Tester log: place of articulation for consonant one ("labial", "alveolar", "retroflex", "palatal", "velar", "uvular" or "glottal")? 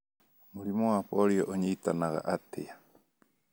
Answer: labial